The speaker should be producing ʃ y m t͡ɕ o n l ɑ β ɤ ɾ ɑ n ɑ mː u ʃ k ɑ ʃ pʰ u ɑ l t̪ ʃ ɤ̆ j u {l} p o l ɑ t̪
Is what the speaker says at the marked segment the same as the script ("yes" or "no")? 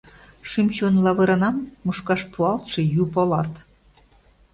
no